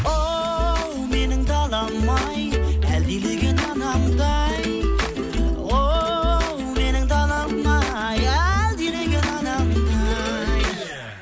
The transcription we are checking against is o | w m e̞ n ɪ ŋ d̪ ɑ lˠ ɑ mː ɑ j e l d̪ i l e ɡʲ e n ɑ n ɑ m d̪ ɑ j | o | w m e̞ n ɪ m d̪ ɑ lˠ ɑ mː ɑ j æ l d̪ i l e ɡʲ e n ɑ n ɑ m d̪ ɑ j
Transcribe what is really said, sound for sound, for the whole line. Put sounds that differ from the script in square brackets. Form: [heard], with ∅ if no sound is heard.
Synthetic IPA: o | w m e̞ n ɪ ŋ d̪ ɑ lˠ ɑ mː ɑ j [æ] l d̪ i l e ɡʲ e n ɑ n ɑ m d̪ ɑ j | o | w m e̞ n ɪ [ŋ] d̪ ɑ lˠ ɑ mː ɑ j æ l d̪ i l e ɡʲ e n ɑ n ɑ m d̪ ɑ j